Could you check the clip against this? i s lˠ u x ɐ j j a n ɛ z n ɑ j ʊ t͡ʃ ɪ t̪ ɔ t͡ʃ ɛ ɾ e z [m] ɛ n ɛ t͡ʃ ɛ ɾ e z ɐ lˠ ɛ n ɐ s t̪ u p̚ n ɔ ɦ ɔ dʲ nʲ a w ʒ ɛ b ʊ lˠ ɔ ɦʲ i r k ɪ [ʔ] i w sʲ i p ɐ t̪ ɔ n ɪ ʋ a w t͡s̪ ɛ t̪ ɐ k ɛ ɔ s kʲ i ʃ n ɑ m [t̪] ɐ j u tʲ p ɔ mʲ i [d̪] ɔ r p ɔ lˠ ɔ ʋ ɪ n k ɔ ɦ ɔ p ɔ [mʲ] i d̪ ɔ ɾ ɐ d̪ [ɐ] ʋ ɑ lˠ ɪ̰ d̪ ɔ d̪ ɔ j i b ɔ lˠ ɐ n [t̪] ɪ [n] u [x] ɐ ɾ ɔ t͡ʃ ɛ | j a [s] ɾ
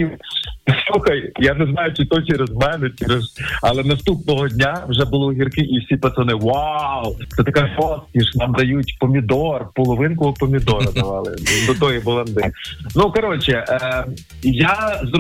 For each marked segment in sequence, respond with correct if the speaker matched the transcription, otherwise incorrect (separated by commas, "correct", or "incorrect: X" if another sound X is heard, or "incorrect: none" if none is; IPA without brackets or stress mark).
correct, correct, incorrect: d̪, correct, correct, correct, incorrect: d̪, correct, incorrect: k, incorrect: z